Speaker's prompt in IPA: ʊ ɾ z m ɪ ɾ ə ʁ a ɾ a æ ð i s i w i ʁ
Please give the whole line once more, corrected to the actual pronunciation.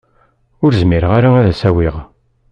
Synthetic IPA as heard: ʊ ɾ z m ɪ ɾ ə ʁ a ɾ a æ ð æ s æ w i ʁ